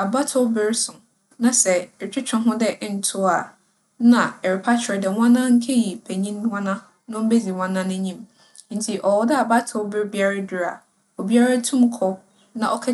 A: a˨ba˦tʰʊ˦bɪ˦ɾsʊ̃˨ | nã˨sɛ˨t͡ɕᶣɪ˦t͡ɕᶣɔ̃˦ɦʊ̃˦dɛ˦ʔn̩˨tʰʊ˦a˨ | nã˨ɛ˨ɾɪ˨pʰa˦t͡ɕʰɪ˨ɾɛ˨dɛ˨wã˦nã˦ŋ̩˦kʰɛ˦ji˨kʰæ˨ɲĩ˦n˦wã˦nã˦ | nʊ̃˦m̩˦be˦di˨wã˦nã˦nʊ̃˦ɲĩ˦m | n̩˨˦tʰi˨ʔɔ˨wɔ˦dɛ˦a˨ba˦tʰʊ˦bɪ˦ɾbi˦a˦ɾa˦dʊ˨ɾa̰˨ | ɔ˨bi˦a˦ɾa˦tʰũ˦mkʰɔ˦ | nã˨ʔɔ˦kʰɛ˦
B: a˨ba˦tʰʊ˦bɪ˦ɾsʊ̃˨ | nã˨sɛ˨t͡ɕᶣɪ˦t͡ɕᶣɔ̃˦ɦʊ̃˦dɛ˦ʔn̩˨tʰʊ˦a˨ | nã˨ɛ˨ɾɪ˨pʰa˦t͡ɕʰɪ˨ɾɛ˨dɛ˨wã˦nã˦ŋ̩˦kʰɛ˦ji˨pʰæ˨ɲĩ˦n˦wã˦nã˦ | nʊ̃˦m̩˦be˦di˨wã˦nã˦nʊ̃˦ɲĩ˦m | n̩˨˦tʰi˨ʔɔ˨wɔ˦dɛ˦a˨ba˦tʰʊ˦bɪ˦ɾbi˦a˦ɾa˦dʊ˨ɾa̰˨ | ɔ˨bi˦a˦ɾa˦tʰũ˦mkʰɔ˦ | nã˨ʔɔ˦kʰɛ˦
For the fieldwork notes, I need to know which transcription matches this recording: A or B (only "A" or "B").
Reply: B